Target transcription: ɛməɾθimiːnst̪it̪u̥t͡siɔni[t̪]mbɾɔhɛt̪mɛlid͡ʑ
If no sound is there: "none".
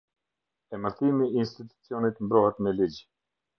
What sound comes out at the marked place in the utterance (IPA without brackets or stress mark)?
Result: t̪